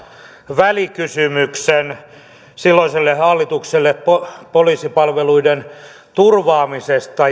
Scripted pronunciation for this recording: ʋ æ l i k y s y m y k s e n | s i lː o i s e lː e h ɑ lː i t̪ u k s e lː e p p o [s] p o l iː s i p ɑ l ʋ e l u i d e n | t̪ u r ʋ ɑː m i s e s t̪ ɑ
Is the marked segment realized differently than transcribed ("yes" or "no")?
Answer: yes